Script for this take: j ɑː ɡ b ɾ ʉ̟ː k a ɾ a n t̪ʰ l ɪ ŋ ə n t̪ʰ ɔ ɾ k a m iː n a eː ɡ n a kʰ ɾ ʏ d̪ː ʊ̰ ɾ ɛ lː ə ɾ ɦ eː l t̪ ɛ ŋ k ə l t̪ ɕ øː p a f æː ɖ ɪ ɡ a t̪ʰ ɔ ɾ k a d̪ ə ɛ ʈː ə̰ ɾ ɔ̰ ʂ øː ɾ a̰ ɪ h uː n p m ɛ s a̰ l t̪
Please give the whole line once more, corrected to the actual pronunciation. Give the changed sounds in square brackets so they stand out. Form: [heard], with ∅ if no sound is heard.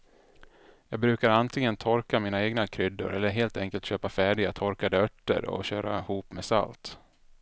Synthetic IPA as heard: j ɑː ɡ b ɾ ʉ̟ː k a ɾ a n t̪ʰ l ɪ ŋ ə n t̪ʰ ɔ ɾ k a m iː n a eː ɡ n a kʰ ɾ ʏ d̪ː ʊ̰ ɾ ɛ lː ə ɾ ɦ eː l t̪ ɛ ŋ k ə l t̪ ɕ øː p a f æː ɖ ɪ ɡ a t̪ʰ ɔ ɾ k a d̪ ə [œ] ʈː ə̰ ɾ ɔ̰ [ɕ] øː ɾ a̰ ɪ h uː [∅] p m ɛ s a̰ l t̪